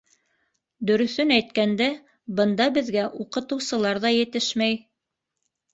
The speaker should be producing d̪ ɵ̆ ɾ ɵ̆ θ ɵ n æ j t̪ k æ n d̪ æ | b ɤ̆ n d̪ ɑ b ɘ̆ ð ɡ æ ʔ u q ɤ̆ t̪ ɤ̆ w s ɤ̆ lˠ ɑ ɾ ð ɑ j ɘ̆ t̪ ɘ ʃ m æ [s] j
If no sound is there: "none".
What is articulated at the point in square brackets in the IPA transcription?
none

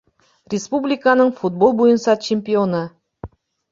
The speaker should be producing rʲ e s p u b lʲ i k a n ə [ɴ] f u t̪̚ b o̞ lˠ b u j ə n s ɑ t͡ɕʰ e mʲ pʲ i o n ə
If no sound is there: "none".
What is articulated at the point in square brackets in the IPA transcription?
ɴ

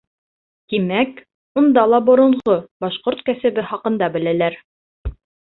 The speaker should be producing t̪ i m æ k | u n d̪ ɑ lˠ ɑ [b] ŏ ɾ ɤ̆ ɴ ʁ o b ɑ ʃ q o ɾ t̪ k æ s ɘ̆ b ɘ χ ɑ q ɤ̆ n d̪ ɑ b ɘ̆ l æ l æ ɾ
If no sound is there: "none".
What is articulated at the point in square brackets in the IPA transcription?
b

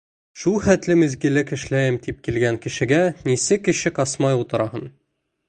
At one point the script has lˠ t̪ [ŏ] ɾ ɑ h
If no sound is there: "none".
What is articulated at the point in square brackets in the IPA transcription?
ɤ̆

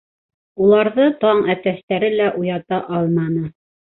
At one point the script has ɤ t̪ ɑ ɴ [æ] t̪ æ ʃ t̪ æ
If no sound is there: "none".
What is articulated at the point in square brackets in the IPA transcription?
æ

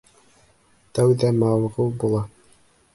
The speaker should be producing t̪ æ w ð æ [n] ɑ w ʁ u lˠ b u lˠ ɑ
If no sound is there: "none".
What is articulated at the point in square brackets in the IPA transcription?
m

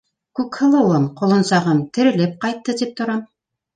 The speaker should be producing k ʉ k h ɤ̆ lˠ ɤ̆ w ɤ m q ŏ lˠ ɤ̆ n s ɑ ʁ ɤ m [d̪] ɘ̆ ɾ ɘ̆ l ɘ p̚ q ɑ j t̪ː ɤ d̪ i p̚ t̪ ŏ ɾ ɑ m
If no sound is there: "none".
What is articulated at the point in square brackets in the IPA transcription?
t̪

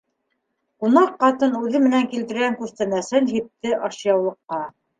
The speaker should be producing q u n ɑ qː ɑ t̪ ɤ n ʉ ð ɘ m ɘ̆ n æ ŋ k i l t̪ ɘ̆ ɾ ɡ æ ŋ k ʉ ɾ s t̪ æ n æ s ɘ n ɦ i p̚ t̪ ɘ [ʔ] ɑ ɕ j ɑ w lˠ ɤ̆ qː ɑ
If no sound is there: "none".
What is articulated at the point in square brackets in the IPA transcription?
ʔ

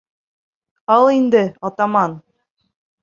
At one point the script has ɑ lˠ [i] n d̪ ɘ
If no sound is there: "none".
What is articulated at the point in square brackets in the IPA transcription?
i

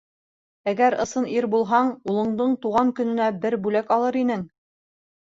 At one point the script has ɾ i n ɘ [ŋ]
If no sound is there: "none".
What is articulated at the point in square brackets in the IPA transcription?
ŋ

